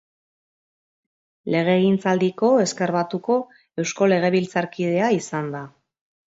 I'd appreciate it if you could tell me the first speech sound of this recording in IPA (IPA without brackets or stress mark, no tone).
l